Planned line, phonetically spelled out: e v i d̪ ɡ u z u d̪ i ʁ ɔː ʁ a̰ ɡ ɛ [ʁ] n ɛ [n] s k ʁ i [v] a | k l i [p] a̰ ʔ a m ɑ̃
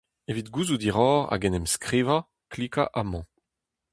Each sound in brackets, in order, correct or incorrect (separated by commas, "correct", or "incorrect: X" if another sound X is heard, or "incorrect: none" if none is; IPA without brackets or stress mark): incorrect: none, incorrect: m, correct, incorrect: k